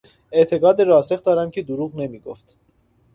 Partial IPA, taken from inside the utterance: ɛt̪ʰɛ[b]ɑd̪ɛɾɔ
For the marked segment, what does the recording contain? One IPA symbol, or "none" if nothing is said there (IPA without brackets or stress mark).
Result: ɡ